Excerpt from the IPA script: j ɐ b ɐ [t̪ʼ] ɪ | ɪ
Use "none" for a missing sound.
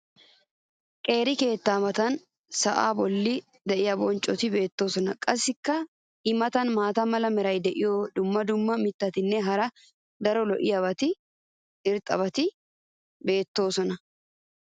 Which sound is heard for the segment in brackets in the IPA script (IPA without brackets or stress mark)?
t̪